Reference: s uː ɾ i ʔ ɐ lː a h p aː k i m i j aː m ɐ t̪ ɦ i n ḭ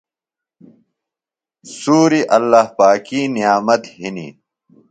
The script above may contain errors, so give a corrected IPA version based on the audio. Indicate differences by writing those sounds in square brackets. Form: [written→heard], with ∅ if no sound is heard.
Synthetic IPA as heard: s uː ɾ i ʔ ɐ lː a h p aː k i [m→n] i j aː m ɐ t̪ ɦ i n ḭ